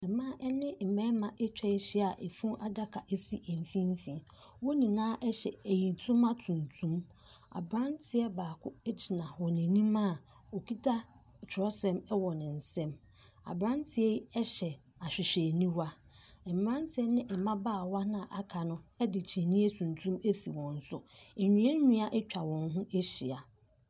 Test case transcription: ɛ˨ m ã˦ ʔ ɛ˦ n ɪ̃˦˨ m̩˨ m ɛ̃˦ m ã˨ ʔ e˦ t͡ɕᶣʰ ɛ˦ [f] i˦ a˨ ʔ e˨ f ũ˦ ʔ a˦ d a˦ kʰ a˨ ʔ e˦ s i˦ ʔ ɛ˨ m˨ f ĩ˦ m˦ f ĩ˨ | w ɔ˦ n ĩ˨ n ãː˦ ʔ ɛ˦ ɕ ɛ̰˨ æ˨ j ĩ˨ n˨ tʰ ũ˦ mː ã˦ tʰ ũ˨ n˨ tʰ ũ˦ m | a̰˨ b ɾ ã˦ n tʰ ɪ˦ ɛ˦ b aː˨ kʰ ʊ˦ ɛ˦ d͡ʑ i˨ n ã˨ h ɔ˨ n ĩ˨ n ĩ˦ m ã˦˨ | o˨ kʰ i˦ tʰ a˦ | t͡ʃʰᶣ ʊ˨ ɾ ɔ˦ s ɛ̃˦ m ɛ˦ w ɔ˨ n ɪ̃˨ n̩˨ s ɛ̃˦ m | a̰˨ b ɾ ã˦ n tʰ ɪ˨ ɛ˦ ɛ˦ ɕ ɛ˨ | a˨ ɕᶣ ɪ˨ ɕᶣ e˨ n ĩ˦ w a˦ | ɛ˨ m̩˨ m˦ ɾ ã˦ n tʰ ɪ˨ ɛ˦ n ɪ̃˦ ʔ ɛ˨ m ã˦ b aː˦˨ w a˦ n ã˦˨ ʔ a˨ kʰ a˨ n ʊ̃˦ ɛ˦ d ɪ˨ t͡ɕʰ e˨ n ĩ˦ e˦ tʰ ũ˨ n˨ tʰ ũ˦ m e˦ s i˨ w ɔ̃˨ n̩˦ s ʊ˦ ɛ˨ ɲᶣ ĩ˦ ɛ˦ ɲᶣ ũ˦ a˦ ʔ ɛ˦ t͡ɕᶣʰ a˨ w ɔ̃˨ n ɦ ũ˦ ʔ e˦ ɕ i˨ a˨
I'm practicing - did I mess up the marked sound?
yes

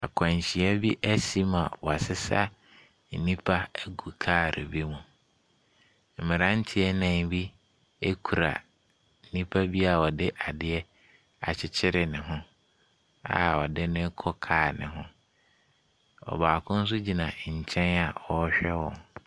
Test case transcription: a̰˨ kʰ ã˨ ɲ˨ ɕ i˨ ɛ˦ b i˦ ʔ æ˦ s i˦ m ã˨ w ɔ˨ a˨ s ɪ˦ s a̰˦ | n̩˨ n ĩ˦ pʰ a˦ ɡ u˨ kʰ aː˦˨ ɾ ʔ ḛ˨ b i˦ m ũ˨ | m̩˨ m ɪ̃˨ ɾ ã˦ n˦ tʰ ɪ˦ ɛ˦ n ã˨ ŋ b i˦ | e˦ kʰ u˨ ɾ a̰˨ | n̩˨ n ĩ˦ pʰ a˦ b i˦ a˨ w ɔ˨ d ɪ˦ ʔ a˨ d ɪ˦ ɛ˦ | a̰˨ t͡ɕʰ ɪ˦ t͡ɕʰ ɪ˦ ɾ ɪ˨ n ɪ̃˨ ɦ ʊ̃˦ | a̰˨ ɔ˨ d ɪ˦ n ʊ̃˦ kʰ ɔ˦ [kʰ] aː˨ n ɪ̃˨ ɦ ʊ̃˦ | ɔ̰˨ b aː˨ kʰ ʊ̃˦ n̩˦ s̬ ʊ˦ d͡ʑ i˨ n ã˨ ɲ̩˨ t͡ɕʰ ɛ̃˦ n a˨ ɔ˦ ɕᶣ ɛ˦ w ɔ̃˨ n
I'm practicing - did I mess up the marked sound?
no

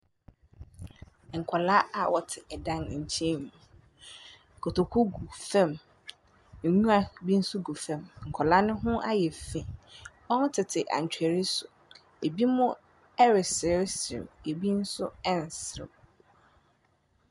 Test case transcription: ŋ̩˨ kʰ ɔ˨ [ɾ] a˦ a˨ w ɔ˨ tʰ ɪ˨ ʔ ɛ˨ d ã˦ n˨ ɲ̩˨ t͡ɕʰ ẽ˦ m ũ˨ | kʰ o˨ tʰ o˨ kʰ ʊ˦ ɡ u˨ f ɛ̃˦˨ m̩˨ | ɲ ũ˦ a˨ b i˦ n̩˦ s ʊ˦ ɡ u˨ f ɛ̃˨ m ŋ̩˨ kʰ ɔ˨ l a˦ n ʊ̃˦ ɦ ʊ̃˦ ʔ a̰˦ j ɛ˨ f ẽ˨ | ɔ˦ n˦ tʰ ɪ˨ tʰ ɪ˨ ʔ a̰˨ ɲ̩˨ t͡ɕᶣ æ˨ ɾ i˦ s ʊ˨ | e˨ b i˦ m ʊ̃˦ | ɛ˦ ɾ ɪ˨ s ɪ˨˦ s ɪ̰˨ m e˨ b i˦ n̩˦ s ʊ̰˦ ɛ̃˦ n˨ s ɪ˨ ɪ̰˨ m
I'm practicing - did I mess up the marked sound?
yes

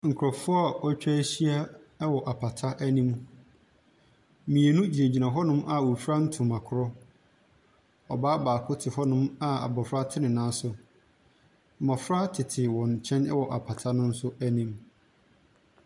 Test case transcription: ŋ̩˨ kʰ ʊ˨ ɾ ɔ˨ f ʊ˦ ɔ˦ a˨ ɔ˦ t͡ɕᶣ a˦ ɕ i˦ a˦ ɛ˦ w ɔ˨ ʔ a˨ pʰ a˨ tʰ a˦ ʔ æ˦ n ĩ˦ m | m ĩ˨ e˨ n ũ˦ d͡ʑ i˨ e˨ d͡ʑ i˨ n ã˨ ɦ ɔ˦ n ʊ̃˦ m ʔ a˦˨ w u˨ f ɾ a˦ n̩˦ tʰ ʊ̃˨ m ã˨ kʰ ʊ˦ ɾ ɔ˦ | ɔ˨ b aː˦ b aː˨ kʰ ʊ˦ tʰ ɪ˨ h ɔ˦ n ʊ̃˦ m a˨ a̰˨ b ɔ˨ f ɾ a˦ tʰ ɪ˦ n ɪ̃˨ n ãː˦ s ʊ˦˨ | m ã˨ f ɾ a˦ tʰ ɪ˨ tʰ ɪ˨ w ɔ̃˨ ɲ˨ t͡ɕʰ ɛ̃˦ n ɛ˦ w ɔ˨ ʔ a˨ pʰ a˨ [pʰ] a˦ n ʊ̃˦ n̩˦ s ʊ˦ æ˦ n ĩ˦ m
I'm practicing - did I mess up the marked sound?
yes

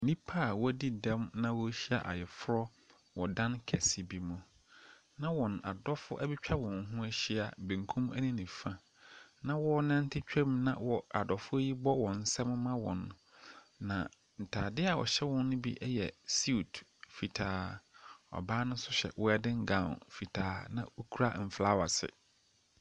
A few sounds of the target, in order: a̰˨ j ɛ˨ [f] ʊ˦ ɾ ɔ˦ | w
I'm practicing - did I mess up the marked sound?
no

